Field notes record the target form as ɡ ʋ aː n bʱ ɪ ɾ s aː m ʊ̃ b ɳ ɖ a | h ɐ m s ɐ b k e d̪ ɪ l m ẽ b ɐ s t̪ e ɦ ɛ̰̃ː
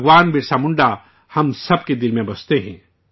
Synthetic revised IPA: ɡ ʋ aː n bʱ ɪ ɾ s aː m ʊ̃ ɳ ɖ a | h ɐ m s ɐ b k e d̪ ɪ l m ẽ b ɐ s t̪ e ɦ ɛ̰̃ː